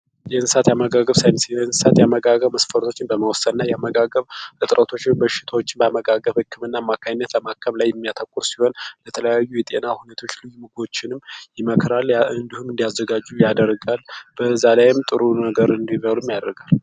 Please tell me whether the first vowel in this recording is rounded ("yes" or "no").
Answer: no